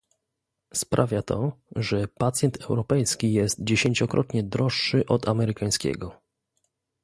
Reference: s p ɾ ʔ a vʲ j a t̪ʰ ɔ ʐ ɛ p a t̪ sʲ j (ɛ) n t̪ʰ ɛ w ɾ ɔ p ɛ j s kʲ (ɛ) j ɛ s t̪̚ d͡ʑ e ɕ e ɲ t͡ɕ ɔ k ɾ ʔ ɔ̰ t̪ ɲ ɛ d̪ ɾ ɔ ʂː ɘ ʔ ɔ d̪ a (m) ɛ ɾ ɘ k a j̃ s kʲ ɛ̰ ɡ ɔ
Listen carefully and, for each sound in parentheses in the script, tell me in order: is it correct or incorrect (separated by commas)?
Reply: correct, incorrect, correct